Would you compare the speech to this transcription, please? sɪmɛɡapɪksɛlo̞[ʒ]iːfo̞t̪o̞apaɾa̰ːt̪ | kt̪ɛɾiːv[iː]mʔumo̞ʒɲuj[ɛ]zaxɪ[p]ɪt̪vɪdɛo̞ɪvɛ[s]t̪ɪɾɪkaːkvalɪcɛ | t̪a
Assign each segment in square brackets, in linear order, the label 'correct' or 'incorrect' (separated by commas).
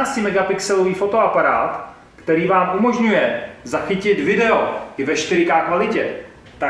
incorrect, incorrect, correct, incorrect, incorrect